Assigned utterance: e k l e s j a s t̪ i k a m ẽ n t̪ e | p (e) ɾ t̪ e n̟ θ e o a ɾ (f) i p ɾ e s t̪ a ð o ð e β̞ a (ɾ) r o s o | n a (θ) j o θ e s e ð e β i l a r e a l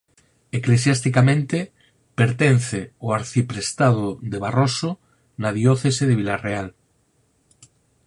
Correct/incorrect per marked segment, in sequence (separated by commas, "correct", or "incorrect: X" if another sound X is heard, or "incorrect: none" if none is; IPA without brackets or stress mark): correct, incorrect: θ, incorrect: none, incorrect: ð